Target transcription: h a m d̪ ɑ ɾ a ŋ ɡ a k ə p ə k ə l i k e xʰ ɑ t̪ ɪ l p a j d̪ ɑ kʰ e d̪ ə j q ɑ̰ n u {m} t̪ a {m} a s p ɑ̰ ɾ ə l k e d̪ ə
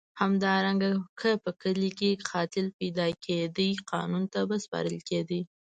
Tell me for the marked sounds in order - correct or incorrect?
incorrect: n, incorrect: b

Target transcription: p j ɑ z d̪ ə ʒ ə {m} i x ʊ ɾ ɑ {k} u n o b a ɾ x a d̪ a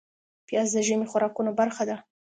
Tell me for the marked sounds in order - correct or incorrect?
correct, correct

